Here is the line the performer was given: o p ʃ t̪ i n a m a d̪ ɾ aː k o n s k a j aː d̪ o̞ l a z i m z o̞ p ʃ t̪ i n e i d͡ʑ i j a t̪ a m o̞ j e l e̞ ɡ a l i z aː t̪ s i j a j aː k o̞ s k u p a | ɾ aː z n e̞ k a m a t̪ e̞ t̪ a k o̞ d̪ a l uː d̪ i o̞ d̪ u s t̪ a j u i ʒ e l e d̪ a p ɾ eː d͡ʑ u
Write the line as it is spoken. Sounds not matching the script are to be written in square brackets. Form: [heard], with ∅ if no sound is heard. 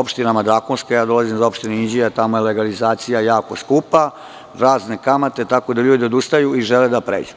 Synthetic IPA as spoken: o p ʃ t̪ i n a m a d̪ ɾ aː k o n s k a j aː d̪ o̞ l a z i m z o̞ p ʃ t̪ i n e i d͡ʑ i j a t̪ a m o̞ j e l e̞ ɡ a l i z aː t̪ s i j a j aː k o̞ s k u p a | ɾ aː z n e̞ k a m a t̪ e̞ t̪ a k o̞ d̪ a [ʎ] uː d̪ i o̞ d̪ u s t̪ a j u i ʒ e l e d̪ a p ɾ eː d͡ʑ u